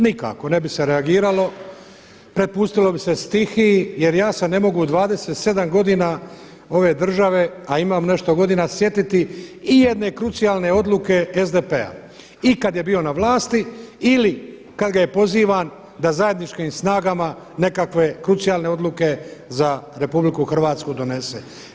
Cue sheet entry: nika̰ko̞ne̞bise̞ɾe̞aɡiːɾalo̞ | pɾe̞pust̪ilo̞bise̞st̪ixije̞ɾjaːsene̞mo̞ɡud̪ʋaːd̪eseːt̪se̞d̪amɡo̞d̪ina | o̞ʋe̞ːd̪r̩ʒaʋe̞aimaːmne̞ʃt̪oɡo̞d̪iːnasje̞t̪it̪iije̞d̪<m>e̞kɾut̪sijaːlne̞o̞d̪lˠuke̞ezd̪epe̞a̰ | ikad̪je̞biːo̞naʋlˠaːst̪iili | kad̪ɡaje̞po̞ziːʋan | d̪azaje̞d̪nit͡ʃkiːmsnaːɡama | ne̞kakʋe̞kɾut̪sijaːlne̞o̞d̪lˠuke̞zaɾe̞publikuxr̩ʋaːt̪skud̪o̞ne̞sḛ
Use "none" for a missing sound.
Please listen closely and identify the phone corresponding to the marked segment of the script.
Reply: n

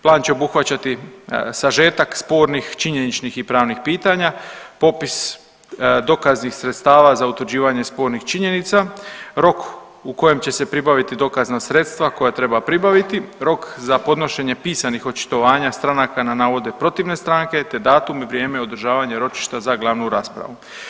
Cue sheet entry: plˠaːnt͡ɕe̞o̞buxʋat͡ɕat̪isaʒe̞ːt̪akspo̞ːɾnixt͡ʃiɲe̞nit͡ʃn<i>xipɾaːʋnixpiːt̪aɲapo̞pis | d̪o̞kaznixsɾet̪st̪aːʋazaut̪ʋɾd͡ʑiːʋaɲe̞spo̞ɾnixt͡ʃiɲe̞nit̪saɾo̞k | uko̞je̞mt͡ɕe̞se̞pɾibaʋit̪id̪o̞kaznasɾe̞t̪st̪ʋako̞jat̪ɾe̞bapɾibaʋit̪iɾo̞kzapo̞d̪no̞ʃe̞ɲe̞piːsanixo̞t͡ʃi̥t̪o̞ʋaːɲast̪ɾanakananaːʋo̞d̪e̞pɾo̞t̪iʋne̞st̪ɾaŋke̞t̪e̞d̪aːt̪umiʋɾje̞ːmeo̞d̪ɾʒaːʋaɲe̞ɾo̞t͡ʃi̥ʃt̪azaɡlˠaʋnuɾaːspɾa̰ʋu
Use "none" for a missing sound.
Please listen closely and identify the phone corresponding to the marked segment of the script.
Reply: i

